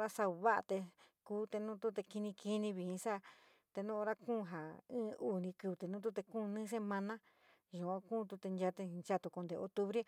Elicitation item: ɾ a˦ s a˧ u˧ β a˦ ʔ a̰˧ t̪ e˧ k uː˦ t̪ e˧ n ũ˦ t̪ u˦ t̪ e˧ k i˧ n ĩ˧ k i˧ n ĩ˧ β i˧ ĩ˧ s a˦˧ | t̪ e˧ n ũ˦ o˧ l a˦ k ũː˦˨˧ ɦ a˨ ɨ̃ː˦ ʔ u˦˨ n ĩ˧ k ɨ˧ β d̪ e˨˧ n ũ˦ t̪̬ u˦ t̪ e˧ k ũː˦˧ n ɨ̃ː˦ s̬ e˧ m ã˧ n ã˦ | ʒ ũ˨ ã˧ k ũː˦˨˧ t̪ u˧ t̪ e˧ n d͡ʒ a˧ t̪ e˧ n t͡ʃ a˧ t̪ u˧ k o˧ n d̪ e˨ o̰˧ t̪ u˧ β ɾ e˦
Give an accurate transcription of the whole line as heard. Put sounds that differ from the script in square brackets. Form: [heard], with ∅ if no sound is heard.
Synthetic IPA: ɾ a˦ s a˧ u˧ β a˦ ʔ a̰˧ t̪ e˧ k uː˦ t̪ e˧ n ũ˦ t̪ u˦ t̪ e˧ k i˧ n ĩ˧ k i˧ n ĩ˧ β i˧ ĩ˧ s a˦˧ | t̪ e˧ n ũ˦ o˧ [ɾ] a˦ k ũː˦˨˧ ɦ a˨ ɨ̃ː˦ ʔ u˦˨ n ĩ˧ k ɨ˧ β [t̪] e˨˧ n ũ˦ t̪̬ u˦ t̪ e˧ k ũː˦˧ n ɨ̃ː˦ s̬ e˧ m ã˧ n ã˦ | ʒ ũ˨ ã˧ k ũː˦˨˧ t̪ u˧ t̪ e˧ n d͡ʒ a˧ t̪ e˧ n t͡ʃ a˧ t̪ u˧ k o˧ n d̪ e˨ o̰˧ t̪ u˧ β ɾ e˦